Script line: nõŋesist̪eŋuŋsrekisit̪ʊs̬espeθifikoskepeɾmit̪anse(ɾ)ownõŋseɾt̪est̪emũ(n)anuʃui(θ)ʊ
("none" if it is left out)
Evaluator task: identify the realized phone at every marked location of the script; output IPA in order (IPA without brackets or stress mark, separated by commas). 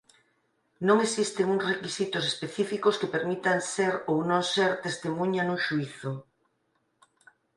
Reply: ɾ, ɲ, θ